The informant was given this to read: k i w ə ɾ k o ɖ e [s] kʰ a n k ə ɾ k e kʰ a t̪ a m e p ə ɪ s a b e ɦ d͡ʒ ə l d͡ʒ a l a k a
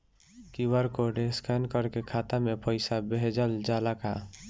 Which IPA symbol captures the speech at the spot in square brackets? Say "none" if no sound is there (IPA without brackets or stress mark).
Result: s